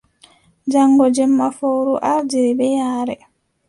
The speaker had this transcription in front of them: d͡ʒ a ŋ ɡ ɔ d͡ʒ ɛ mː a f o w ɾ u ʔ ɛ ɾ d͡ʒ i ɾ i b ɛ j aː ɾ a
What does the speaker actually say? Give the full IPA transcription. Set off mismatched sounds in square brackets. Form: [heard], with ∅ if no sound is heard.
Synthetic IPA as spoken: d͡ʒ a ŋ ɡ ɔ d͡ʒ ɛ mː a f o w ɾ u ʔ [a] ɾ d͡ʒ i ɾ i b ɛ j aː ɾ [ɛ]